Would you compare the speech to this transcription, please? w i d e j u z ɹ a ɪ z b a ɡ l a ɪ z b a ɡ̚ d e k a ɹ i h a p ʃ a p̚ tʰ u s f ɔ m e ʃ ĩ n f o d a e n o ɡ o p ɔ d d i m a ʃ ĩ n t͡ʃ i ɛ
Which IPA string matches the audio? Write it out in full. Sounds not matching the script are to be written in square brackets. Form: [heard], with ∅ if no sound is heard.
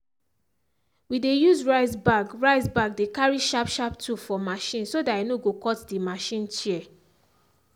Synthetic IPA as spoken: w i d e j u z ɹ a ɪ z b a ɡ [ɹ] a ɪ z b a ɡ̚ d e k a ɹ i [ʃ] a p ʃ a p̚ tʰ u [∅] f ɔ m [a] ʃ ĩ n [s] o d a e n o ɡ o [k] ɔ [t] d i m a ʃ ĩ n t͡ʃ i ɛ